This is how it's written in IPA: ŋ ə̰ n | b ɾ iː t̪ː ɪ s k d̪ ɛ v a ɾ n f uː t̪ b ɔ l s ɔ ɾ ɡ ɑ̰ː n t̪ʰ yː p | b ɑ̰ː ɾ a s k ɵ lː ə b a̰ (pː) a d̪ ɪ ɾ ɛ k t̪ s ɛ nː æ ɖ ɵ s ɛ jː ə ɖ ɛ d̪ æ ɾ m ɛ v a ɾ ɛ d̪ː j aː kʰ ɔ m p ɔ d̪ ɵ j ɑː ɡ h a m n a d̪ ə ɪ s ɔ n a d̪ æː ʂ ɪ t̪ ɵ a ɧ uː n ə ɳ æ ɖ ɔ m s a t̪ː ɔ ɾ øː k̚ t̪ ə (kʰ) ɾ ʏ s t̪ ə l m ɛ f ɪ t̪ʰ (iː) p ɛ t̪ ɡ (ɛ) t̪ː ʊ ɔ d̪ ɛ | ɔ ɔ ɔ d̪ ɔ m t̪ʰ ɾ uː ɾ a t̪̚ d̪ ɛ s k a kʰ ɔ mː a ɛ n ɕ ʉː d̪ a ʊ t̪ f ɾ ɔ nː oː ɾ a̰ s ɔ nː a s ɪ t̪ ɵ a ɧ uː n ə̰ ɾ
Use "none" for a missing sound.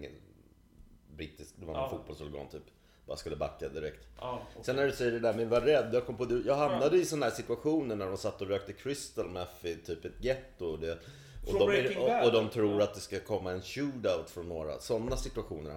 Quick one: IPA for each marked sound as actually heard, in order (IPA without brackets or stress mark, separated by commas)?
kː, kʰ, yː, ɛ